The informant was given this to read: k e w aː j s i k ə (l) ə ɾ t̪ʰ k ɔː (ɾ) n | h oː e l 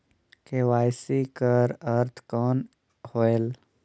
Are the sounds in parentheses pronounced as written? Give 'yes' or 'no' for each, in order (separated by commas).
no, no